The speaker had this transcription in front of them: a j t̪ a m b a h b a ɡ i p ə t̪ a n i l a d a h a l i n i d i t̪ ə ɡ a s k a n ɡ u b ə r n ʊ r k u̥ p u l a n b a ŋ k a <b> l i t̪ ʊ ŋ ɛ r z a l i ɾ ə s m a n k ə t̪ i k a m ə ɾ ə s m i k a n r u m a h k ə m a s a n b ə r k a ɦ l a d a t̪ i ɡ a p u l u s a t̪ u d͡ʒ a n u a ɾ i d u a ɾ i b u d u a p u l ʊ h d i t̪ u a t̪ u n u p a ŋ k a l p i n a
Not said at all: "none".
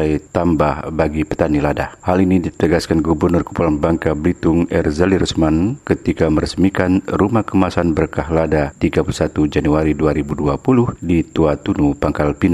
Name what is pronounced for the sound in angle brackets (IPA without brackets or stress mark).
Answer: b